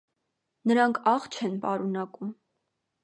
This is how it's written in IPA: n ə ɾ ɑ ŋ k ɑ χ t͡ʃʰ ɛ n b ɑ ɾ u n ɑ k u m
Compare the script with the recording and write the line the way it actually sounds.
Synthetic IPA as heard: n ə ɾ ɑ ŋ kʰ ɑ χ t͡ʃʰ ɛ n p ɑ ɾ u n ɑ k u m

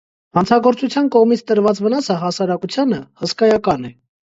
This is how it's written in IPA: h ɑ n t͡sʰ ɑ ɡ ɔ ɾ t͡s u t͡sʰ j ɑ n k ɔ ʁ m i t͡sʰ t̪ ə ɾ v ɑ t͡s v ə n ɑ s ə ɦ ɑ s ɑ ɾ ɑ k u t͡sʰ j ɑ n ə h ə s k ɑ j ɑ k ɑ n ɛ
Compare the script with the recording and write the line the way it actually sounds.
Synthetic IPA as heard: h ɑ n t͡sʰ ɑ ɡ ɔ ɾ t͡s u t͡sʰ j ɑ n k ɔ ʁ m i t͡sʰ t̪ ə ɾ v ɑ t͡s v ə n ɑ s ə ɦ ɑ s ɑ ɾ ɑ k u t͡sʰ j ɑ n ə h ə s k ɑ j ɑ k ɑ n ɛ

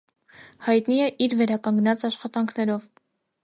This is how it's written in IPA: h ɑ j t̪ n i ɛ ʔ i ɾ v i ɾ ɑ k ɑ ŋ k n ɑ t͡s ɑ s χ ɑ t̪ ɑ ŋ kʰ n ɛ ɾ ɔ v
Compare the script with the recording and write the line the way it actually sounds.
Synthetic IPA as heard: h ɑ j t̪ n i ɛ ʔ i ɾ v ɛ ɾ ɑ k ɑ ŋ ɡ n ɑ t͡s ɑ ʃ χ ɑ t̪ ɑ ŋ kʰ n ɛ ɾ ɔ v

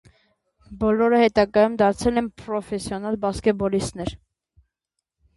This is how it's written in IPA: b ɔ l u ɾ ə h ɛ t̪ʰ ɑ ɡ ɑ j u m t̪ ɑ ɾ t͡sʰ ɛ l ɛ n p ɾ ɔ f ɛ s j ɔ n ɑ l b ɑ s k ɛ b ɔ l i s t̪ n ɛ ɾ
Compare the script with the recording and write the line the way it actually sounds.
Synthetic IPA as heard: b ɔ l ɔ ɾ ə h ɛ t̪ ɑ ɡ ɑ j u m d̪ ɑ ɾ t͡sʰ ɛ l ɛ n p ɾ ɔ f ɛ s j ɔ n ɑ l b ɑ s k ɛ b ɔ l i s t̪ n ɛ ɾ

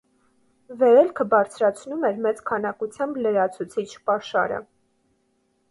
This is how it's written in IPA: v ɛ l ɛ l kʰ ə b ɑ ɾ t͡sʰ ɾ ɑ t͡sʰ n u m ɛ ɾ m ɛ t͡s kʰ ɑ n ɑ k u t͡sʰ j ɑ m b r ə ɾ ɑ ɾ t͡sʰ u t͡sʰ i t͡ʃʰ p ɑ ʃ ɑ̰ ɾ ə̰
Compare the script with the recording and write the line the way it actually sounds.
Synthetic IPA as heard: v ɛ ɾ ɛ l kʰ ə b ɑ ɾ t͡sʰ ɾ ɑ t͡sʰ n u m ɛ ɾ m ɛ t͡s kʰ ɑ n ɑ k u t͡sʰ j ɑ m b l ə ɾ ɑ t͡sʰ u t͡sʰ i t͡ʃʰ p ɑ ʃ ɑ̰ ɾ ə̰

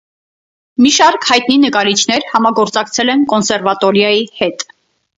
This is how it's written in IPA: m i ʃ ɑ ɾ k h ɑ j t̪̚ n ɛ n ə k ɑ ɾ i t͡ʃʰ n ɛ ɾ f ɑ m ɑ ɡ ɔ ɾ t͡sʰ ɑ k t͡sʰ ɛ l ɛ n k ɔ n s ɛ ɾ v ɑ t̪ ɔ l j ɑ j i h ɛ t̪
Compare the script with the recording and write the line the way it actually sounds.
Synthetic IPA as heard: m i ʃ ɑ ɾ k h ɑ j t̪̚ n i n ə k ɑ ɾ i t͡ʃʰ n ɛ ɾ h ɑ m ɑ ɡ ɔ ɾ t͡s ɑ k t͡sʰ ɛ l ɛ n k ɔ n s ɛ ɾ v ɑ t̪ ɔ ɾ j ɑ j i h ɛ t̪

